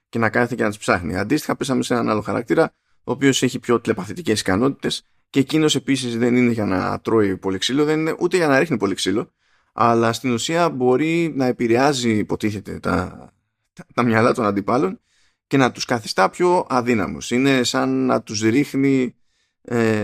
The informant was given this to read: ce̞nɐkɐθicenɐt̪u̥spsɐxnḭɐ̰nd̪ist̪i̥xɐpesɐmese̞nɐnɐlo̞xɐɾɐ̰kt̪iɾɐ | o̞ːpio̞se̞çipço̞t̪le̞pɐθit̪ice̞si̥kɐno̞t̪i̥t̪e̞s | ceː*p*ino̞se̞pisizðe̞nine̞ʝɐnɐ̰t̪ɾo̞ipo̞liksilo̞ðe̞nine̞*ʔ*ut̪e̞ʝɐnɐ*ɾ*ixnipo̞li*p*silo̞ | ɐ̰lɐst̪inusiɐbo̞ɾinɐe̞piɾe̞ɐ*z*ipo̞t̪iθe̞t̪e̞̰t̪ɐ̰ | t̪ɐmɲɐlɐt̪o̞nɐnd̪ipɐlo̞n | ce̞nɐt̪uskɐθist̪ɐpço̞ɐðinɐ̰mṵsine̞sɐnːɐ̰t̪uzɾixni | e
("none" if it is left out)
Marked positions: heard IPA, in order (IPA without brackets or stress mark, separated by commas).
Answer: c, ʔ, ɾ, k, z